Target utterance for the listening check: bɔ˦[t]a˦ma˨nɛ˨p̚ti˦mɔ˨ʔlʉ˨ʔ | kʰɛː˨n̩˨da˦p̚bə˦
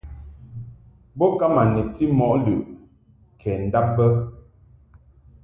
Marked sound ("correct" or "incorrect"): incorrect